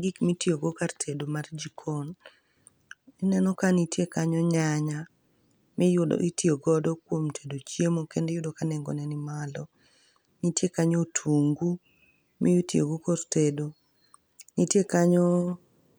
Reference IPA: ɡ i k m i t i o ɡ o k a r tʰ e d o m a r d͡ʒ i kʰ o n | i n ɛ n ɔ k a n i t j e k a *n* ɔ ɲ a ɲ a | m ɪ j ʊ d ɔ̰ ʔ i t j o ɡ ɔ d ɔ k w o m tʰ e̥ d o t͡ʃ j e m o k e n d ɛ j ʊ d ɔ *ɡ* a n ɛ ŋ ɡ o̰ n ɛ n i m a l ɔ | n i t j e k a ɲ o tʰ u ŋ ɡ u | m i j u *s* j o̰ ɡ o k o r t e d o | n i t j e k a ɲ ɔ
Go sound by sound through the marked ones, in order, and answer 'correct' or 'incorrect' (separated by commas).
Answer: incorrect, incorrect, incorrect